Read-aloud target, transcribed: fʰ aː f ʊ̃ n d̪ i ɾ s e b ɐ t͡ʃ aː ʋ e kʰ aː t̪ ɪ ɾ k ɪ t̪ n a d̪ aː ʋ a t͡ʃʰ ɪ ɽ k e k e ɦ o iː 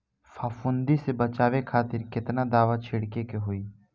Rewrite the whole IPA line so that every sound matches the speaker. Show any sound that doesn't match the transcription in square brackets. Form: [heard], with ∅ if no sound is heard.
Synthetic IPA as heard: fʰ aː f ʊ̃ n d̪ i [∅] s e b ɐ t͡ʃ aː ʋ e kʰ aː t̪ ɪ ɾ k ɪ t̪ n a d̪ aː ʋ a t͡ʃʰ ɪ ɽ k e k e ɦ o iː